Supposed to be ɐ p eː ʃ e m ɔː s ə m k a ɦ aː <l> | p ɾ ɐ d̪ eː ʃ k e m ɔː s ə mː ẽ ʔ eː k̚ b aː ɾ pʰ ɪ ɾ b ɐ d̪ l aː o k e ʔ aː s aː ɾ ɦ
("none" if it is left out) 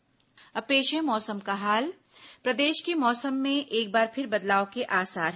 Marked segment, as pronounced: l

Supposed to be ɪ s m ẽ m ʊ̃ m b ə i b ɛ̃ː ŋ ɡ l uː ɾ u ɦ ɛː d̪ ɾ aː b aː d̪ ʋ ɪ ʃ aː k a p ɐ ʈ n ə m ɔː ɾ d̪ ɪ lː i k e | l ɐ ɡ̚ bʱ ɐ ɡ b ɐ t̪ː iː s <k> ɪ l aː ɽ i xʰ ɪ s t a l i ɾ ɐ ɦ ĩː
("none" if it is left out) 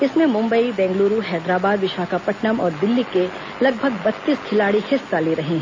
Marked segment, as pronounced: kʰ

